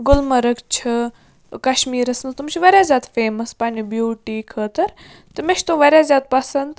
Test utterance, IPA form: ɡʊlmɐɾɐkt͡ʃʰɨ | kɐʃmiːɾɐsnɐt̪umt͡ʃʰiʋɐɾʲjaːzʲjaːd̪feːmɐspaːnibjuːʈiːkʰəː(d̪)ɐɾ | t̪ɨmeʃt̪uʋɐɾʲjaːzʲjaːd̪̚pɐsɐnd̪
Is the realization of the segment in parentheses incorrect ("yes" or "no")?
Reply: yes